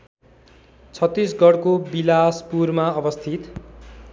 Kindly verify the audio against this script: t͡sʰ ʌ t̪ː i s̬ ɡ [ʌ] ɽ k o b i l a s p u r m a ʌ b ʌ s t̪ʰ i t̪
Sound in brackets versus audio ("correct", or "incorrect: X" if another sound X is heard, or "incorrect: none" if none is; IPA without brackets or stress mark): correct